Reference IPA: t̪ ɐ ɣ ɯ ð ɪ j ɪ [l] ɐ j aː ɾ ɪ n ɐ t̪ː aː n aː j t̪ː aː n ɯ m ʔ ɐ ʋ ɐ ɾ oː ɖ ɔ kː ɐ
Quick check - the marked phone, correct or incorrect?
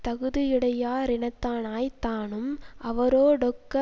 incorrect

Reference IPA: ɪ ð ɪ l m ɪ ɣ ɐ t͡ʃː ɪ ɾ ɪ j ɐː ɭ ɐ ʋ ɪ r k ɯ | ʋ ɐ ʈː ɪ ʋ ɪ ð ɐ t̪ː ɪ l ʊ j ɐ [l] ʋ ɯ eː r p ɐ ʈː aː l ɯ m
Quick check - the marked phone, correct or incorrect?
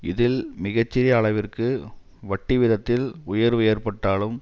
incorrect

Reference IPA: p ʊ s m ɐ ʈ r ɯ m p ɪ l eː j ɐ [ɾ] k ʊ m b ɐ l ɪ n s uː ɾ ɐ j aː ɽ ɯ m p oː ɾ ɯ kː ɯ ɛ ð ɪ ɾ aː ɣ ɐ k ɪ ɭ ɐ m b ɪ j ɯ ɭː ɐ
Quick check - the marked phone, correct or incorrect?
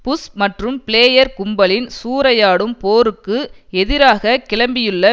correct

